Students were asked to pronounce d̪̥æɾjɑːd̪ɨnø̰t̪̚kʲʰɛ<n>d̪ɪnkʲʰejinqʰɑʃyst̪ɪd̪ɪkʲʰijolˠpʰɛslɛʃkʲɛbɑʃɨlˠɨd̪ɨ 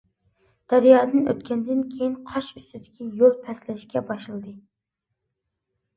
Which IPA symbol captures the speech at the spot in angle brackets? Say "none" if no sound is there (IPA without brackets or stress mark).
n